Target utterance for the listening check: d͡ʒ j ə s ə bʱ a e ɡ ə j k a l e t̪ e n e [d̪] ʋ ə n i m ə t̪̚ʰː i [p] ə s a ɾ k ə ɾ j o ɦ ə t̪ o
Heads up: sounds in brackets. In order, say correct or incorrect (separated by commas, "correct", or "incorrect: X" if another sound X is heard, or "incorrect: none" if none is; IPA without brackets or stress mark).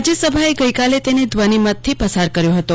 correct, correct